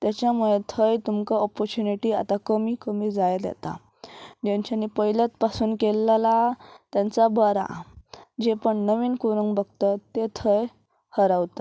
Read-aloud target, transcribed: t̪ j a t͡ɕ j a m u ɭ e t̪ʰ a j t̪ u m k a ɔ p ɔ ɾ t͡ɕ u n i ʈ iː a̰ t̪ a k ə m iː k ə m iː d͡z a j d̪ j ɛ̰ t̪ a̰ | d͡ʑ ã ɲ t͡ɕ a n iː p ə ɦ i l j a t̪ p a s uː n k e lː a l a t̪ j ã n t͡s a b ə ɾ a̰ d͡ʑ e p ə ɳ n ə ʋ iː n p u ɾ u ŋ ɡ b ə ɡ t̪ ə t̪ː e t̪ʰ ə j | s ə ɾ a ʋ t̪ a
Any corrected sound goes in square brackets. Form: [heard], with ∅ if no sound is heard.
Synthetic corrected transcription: t̪ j a t͡ɕ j a m u ɭ e t̪ʰ [ə] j t̪ u m k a ɔ p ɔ ɾ t͡ɕ u n i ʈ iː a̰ t̪ a k ə m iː k ə m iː d͡z a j d̪ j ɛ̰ t̪ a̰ | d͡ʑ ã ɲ t͡ɕ a n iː p ə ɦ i l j a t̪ p a s uː n k e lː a l a t̪ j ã n t͡s a b ə ɾ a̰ d͡ʑ e p ə ɳ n ə ʋ iː n [k] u ɾ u ŋ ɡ b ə ɡ t̪ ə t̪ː e t̪ʰ ə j | [h] ə ɾ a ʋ t̪ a